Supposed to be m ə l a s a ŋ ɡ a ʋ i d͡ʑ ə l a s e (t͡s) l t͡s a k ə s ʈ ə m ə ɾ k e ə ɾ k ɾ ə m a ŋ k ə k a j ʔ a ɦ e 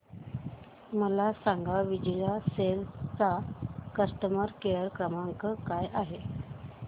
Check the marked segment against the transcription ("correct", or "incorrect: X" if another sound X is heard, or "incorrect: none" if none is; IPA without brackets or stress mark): incorrect: none